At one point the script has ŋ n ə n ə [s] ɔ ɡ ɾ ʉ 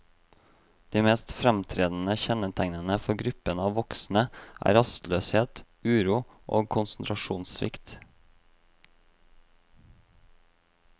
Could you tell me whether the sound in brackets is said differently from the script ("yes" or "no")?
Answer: yes